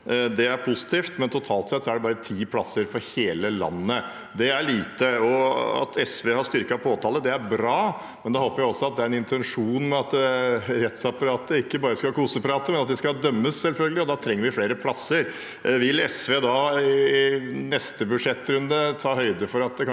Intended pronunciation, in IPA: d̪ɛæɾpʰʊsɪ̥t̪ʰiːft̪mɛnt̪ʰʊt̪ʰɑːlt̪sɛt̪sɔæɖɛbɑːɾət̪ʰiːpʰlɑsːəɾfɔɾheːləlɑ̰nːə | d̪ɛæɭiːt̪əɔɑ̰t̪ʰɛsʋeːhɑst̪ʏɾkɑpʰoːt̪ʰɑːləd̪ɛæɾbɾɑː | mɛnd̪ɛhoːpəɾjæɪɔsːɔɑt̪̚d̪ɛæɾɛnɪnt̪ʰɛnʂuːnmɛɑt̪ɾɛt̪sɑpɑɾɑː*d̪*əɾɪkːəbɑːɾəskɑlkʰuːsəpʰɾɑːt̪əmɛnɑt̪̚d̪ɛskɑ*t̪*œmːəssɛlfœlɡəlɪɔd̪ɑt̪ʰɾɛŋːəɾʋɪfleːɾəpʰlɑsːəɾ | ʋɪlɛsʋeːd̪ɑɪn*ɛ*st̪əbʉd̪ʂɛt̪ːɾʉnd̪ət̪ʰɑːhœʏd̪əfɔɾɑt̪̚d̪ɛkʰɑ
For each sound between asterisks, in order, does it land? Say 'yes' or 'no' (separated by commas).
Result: no, no, yes